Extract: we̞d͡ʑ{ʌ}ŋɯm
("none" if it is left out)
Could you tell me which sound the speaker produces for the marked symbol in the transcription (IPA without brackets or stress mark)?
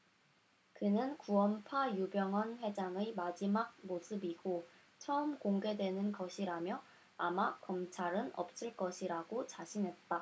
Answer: a